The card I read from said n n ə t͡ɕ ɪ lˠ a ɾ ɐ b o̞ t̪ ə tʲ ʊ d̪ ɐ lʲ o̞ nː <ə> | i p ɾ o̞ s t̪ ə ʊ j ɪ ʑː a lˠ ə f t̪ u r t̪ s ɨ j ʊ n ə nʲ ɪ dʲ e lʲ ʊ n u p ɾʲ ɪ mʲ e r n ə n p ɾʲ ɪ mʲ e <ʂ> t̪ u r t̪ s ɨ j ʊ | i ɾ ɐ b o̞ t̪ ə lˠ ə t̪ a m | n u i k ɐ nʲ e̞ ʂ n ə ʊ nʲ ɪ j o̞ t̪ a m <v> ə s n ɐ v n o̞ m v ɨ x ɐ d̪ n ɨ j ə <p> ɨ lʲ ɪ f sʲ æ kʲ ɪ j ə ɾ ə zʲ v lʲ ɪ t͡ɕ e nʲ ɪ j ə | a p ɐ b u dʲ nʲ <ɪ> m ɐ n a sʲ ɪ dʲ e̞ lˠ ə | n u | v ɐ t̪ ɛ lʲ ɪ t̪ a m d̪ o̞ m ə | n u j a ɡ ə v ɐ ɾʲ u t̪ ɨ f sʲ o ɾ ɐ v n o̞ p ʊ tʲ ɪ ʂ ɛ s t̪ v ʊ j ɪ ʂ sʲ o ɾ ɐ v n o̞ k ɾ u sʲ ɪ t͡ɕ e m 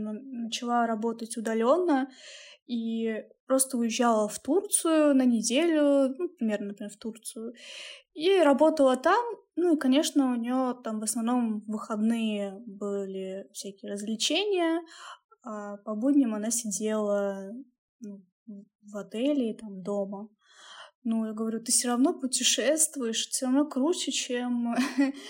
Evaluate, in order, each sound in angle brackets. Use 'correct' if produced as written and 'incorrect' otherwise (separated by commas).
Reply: correct, incorrect, correct, incorrect, correct